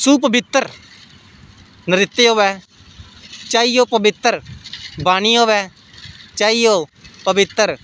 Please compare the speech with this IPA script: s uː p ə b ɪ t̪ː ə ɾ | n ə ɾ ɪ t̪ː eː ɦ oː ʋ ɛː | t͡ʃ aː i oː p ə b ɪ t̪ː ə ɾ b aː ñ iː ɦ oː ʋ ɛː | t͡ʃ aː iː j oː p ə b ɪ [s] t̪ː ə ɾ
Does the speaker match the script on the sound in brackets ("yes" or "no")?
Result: no